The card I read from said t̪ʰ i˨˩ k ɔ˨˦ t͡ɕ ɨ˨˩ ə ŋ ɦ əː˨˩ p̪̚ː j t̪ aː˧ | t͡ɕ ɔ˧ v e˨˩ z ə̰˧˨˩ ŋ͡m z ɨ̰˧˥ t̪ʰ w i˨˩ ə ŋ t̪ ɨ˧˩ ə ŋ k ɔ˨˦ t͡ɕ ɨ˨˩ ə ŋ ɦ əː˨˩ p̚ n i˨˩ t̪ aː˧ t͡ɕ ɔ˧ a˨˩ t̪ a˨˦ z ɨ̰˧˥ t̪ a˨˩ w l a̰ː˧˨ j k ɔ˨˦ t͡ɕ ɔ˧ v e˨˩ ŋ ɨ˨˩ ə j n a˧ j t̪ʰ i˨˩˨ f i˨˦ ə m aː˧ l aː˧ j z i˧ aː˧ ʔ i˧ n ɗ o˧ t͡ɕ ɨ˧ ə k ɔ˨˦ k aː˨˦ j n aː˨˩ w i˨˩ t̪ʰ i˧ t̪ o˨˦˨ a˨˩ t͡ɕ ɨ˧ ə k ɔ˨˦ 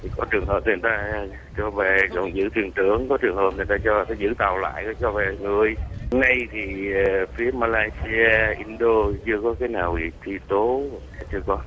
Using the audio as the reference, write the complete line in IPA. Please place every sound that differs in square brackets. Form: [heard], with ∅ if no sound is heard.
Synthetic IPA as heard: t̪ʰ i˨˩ k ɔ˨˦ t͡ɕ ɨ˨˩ ə ŋ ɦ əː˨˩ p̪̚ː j t̪ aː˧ | t͡ɕ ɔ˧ v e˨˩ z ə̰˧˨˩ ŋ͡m z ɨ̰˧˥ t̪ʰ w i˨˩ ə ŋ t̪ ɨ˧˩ ə ŋ k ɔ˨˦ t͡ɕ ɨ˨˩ ə ŋ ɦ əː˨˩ p̚ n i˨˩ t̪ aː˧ t͡ɕ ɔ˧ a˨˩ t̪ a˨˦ z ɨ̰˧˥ t̪ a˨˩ w l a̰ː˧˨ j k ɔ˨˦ t͡ɕ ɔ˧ v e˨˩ ŋ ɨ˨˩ ə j n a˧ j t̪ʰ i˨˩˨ f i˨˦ ə m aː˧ l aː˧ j [s] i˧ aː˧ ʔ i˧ n ɗ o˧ t͡ɕ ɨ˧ ə k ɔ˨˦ k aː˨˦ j n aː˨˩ w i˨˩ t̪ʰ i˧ t̪ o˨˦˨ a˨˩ t͡ɕ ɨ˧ ə k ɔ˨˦